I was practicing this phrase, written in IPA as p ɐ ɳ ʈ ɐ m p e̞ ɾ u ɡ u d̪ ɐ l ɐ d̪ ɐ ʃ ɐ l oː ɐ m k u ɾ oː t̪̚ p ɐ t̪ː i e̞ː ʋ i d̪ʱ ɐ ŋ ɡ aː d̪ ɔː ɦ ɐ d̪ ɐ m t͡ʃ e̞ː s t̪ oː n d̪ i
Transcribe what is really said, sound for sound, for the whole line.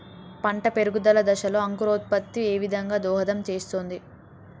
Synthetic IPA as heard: p ɐ ɳ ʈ ɐ p e̞ ɾ u ɡ u d̪ ɐ l ɐ d̪ ɐ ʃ ɐ l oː ɐ ŋ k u ɾ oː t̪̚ p ɐ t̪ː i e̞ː ʋ i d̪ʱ ɐ ŋ ɡ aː d̪ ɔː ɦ ɐ d̪ ɐ m t͡ʃ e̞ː s t̪ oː n d̪ i